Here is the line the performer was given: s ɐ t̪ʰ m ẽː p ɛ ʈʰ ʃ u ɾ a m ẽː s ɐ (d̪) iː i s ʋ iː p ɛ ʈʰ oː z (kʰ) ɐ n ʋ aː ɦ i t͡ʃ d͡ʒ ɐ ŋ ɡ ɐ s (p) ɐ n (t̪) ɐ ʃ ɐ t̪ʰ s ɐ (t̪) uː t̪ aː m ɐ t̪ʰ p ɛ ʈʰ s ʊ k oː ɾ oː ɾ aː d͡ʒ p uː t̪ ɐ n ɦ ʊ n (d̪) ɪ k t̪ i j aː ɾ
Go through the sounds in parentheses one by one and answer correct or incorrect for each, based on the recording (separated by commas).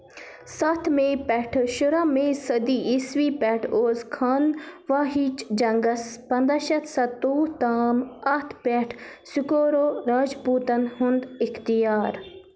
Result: correct, correct, correct, incorrect, correct, correct